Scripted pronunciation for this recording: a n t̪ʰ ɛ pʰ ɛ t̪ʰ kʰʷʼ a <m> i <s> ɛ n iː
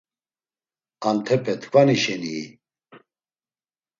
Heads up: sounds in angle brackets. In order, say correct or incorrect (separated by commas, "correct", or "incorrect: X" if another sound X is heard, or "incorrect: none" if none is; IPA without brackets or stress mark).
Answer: incorrect: n, incorrect: ʃ